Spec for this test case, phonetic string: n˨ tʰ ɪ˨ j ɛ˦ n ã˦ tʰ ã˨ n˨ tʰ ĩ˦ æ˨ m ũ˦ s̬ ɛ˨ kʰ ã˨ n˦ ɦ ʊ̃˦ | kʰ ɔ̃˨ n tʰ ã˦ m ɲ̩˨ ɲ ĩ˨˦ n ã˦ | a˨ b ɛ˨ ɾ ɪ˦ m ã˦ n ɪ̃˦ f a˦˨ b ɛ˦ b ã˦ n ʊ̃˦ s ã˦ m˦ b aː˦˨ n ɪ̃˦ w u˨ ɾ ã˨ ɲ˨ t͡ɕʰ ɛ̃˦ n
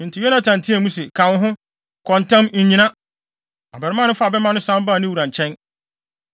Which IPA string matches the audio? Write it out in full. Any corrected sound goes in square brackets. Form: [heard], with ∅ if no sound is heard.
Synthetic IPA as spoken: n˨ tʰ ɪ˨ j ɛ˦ n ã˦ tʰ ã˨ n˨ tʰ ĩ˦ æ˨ m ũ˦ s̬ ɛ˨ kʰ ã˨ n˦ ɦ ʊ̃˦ | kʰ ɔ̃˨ n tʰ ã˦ m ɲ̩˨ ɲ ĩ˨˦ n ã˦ | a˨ b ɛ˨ ɾ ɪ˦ m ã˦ n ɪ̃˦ f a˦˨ b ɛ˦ [m] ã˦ n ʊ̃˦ s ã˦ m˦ b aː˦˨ n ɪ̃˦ w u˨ ɾ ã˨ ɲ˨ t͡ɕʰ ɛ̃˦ n